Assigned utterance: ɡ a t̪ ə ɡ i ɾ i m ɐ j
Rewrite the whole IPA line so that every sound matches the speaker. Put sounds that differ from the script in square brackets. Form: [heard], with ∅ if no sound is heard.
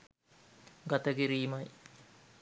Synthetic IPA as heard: ɡ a t̪ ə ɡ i ɾ [iː] m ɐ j